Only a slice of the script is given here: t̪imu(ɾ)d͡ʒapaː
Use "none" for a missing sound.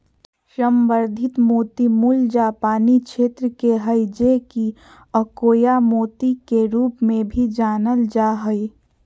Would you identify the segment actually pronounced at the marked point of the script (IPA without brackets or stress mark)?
l